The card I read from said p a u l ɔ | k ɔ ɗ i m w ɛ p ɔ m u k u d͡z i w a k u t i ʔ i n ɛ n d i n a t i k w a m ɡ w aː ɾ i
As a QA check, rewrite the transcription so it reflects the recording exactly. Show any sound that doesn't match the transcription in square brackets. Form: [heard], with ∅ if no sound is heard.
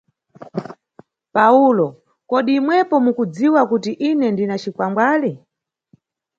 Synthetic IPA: p a u l ɔ | k ɔ ɗ [iː] m w ɛ p ɔ m u k u d͡z i w a k u t i ʔ i n ɛ n d i n a [t͡ʃ] i k w a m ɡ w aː [l] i